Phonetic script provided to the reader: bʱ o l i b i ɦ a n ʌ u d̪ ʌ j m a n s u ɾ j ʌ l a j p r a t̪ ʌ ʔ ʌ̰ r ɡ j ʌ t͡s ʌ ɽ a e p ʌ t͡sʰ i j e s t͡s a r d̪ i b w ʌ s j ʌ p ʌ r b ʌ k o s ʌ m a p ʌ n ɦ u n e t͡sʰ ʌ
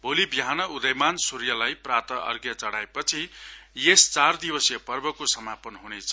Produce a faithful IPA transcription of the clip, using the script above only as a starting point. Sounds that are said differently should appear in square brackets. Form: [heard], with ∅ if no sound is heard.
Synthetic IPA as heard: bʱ o l i b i ɦ a n ʌ u d̪ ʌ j m a n s u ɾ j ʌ l a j p r a t̪ ʌ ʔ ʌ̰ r ɡ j ʌ t͡s ʌ ɽ a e p ʌ t͡sʰ i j e s t͡s a r d̪ i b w ʌ s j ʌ p ʌ r b ʌ k o s ʌ m a p ʌ n ɦ u n e t͡sʰ ʌ